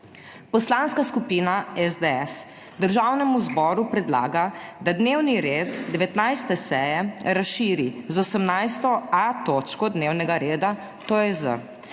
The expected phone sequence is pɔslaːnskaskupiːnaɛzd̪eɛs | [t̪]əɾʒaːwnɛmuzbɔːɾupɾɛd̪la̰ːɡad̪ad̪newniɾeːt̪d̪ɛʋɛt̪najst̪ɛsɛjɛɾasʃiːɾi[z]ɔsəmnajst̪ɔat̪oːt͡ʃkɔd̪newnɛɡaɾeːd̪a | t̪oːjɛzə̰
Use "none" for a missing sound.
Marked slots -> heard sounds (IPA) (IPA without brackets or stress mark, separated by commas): d̪, z